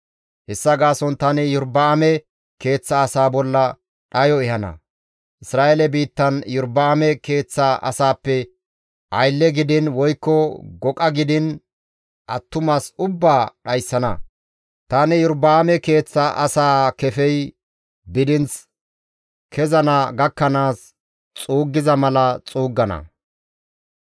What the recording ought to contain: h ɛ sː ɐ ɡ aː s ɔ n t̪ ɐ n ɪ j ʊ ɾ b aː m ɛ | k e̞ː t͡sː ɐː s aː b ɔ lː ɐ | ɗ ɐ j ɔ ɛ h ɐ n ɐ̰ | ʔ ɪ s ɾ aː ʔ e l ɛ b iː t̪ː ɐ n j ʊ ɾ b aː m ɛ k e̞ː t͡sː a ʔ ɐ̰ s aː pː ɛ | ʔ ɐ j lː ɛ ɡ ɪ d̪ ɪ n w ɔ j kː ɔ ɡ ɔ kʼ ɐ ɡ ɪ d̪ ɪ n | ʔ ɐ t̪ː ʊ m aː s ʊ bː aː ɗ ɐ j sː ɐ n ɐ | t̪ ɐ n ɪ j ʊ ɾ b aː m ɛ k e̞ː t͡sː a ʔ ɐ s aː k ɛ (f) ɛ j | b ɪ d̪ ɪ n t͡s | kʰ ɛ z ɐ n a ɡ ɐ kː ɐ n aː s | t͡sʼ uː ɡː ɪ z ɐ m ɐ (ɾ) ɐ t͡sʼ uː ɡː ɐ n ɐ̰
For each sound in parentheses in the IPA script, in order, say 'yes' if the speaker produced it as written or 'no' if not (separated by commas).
yes, no